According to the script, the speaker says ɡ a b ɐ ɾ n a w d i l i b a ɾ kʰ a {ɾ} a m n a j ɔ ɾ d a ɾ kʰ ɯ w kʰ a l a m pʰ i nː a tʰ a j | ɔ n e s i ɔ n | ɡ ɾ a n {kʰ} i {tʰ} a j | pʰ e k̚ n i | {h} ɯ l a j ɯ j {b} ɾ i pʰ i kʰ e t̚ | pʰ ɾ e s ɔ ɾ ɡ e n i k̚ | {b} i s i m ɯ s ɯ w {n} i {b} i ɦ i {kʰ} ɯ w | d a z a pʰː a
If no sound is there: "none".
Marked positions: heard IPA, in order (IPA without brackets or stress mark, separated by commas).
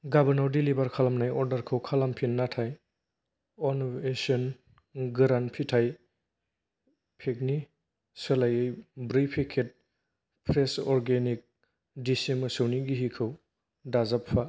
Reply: l, pʰ, tʰ, s, b, d, n, ɡ, kʰ